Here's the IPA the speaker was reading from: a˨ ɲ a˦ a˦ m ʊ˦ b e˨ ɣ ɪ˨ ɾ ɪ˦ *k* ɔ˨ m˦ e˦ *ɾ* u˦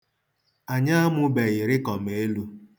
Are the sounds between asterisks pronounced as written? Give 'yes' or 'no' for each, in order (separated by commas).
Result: yes, no